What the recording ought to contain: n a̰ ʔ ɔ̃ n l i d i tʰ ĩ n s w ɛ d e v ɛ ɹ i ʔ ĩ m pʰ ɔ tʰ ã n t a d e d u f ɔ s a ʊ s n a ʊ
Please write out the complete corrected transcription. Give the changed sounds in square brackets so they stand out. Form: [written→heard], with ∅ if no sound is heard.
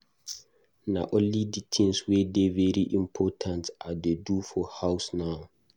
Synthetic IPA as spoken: n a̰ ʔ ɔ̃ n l i d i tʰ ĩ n s w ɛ d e v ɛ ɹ i ʔ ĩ m pʰ ɔ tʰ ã n t a d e d u f ɔ [s→h] a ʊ s n a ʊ